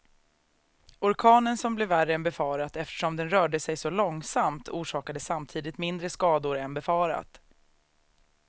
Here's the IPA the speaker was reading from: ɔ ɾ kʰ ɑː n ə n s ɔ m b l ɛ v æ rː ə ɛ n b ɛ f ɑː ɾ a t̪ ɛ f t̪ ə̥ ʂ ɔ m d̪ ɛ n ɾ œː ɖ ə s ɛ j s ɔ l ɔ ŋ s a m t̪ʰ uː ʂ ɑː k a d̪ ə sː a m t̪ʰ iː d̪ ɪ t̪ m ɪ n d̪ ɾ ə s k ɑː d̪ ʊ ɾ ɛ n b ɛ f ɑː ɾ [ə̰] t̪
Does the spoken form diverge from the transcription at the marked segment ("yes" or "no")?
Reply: yes